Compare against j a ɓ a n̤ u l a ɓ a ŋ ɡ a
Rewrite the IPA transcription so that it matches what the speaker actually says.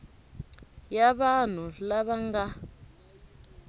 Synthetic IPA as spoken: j a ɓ a n̤ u l a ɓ a ŋ ɡ a